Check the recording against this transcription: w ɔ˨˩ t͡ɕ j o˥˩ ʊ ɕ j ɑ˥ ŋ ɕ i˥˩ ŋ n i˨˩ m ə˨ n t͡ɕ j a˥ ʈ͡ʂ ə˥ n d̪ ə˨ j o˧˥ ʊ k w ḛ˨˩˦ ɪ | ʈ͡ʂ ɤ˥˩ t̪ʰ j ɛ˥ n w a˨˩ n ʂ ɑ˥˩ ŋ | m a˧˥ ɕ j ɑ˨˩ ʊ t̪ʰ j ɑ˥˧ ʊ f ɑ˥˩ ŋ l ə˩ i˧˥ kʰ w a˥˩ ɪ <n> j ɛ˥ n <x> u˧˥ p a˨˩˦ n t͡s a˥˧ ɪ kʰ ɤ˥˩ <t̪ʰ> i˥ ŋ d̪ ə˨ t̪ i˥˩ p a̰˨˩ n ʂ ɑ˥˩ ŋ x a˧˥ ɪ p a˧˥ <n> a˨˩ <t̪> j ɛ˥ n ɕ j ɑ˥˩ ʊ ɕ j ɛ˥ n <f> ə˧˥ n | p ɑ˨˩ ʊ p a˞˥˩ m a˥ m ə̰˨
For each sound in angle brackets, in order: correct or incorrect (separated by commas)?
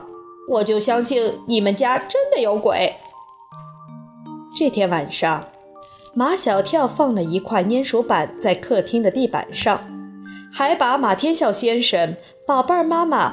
correct, incorrect, correct, incorrect, incorrect, incorrect